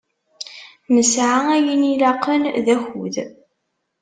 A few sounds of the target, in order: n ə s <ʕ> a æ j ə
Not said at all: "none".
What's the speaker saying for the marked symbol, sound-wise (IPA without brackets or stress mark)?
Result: ʕ